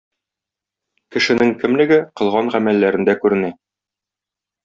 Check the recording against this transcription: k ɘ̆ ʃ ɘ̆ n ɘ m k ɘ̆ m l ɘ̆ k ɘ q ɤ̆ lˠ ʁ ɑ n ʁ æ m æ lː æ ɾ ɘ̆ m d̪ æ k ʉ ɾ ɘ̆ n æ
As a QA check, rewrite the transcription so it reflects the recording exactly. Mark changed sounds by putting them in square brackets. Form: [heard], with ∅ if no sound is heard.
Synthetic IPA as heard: k ɘ̆ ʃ ɘ̆ n ɘ [ŋ] k ɘ̆ m l ɘ̆ [ɡ] ɘ q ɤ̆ lˠ ʁ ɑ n ʁ æ m æ lː æ ɾ ɘ̆ [n] d̪ æ k ʉ ɾ ɘ̆ n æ